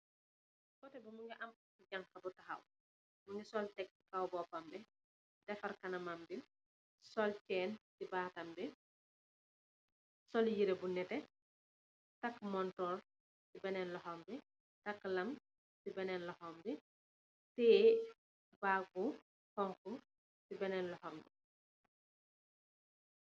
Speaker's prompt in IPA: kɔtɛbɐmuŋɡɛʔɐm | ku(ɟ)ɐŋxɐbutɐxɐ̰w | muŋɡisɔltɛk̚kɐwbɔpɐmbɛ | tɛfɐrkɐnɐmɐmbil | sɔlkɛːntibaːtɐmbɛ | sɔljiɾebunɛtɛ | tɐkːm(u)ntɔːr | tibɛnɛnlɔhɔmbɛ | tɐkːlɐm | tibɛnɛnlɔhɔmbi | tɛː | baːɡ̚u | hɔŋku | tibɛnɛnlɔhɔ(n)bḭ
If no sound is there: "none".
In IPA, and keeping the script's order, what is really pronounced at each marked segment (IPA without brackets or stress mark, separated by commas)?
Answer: ɟ, ɔ, m